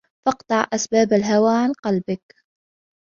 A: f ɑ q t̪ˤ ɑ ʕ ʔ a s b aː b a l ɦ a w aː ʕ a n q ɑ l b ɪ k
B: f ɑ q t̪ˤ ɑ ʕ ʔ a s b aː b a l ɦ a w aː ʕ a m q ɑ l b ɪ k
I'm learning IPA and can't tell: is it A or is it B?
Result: A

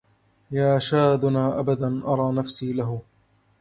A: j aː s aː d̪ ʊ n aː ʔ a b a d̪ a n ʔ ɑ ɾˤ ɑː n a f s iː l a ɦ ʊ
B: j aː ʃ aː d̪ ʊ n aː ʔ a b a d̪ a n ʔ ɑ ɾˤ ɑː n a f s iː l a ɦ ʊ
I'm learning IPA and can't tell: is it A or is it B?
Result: B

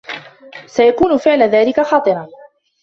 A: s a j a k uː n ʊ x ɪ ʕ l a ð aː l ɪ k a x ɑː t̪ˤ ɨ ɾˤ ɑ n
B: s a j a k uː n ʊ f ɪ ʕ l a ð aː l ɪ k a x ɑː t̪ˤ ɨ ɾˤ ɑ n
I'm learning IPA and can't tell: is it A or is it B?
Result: B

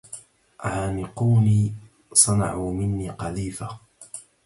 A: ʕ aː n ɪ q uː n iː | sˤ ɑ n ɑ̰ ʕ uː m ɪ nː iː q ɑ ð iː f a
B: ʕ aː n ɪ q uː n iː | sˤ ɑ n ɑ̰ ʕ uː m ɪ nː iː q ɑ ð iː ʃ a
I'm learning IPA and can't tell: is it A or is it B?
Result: A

